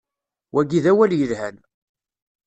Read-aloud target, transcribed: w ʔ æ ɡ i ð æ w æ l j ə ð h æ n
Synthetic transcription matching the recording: w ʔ æ ɡ i ð æ w æ l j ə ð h æ n